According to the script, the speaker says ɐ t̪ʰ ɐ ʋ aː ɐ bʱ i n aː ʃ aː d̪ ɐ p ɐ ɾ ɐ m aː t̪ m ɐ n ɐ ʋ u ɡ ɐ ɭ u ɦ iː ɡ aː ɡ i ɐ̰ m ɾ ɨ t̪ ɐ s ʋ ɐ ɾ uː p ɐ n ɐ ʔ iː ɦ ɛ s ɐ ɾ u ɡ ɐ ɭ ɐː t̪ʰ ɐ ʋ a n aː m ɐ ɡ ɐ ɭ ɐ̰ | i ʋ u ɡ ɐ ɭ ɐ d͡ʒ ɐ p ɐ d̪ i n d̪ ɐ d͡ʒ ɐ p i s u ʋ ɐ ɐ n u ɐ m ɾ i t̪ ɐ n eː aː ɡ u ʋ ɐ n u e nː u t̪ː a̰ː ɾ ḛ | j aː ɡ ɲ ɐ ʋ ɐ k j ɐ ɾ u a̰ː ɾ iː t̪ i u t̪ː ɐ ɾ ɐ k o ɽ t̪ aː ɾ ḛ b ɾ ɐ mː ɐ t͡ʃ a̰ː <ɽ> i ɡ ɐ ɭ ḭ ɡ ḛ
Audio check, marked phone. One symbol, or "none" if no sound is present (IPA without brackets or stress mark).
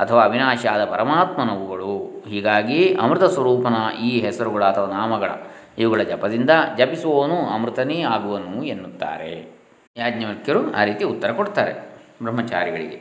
ɾ